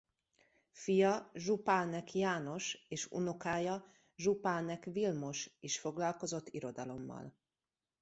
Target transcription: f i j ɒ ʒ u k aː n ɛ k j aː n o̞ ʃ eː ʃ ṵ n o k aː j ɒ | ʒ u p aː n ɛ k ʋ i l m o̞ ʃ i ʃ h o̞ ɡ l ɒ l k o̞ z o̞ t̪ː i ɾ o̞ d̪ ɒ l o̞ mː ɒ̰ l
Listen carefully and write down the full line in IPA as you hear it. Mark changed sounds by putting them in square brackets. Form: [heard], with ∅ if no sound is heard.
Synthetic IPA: f i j ɒ ʒ u [p] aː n ɛ k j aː n o̞ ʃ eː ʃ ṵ n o k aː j ɒ | ʒ u p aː n ɛ k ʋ i l m o̞ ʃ i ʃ [f] o̞ ɡ l ɒ l k o̞ z o̞ t̪ː i ɾ o̞ d̪ ɒ l o̞ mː ɒ̰ l